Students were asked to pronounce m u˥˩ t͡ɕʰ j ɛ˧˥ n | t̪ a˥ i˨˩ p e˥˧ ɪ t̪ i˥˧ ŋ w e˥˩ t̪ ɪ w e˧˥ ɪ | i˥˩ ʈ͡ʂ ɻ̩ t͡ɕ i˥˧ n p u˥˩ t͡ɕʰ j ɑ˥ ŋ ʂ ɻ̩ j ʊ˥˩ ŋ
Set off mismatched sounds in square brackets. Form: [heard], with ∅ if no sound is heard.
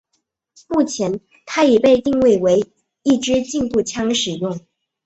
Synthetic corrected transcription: m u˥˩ t͡ɕʰ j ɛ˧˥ n | [t̪ʰ] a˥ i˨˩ p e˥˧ ɪ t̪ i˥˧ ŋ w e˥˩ [∅] ɪ w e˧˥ ɪ | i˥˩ ʈ͡ʂ ɻ̩ t͡ɕ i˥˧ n p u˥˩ t͡ɕʰ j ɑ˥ ŋ ʂ ɻ̩ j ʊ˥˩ ŋ